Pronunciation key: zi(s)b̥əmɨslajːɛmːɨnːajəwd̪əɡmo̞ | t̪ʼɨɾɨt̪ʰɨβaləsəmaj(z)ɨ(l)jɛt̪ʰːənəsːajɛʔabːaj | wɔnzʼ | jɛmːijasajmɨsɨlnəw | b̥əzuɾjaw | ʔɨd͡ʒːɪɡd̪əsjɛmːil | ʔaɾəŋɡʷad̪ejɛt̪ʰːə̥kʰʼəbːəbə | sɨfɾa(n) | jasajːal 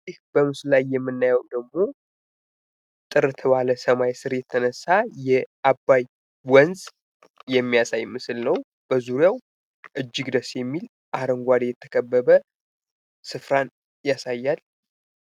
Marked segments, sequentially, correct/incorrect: incorrect: h, incorrect: s, incorrect: ɾ, correct

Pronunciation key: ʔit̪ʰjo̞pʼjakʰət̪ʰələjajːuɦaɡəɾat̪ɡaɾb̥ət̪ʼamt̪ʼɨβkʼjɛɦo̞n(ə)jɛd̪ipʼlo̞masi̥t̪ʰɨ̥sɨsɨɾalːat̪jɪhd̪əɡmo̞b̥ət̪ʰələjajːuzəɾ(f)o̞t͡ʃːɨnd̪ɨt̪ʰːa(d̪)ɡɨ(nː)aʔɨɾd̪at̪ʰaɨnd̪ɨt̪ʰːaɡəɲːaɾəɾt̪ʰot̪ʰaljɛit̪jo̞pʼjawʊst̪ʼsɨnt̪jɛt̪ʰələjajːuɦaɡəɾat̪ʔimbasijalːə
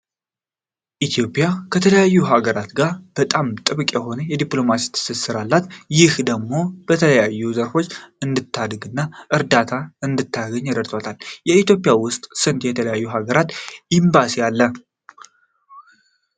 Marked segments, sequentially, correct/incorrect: correct, correct, correct, correct

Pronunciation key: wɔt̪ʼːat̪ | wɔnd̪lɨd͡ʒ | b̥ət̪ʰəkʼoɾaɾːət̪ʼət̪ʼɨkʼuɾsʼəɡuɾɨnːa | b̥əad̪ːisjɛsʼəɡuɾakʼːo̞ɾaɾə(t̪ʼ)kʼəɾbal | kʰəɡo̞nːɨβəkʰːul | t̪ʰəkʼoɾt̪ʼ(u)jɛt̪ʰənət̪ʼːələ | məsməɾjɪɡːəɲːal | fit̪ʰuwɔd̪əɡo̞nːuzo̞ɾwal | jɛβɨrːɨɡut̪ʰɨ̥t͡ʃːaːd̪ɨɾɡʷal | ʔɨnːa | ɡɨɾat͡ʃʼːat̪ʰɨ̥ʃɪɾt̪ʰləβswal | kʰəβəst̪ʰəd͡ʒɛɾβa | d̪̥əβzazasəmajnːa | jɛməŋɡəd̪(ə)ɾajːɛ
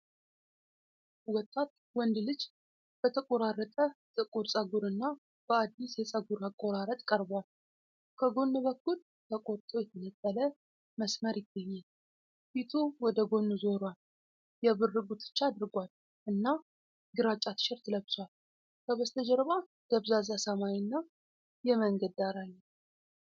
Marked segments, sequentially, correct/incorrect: correct, incorrect: o, incorrect: a

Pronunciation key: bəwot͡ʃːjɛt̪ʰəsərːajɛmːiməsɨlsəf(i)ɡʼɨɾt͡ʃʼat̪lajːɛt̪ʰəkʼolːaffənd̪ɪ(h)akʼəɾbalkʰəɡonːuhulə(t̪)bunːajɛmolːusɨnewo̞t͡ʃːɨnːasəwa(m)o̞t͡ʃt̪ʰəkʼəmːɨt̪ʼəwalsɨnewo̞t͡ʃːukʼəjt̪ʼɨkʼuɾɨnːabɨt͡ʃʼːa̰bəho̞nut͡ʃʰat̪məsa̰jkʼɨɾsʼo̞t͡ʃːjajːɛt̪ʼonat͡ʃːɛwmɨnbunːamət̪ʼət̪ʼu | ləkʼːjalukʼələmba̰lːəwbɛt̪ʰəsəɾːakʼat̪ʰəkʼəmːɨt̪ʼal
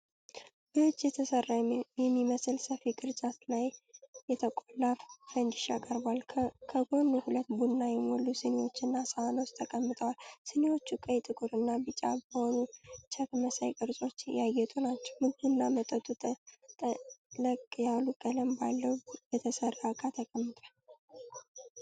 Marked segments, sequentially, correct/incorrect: correct, incorrect: ʃ, correct, incorrect: n

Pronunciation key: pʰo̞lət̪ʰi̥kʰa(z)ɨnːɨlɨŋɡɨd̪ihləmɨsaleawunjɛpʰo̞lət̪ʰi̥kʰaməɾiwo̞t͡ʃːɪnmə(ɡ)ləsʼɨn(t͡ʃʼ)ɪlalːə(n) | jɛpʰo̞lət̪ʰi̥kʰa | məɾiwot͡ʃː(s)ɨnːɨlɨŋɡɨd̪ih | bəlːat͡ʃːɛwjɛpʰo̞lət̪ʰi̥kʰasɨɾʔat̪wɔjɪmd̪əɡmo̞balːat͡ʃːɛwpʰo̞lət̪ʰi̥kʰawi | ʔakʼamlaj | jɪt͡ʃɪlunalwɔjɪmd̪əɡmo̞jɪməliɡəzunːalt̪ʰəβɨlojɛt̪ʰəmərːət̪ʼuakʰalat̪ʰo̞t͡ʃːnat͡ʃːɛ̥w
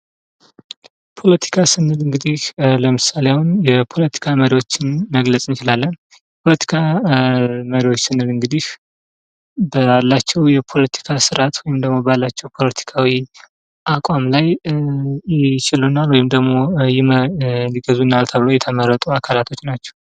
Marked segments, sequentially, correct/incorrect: incorrect: s, correct, incorrect: t͡ʃ, correct, correct

